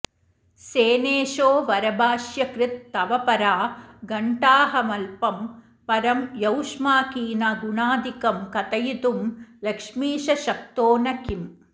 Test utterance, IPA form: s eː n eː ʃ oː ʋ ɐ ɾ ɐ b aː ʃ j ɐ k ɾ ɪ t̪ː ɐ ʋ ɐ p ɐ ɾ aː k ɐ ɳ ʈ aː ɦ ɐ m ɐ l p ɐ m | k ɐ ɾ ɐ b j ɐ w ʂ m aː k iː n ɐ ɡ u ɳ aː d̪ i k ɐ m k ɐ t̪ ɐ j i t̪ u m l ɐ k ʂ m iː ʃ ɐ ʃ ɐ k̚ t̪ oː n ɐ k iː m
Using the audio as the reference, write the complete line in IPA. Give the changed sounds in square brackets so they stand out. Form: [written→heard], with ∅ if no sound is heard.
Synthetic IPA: s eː n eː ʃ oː ʋ ɐ ɾ ɐ b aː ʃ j ɐ k ɾ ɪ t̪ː ɐ ʋ ɐ p ɐ ɾ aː [k→ɡ] ɐ ɳ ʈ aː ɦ ɐ m ɐ l p ɐ m | [k→p] ɐ ɾ ɐ [b→m] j ɐ w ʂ m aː k iː n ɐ ɡ u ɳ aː d̪ i k ɐ m k ɐ t̪ ɐ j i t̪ u m l ɐ k ʂ m iː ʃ ɐ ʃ ɐ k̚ t̪ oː n ɐ k [iː→i] m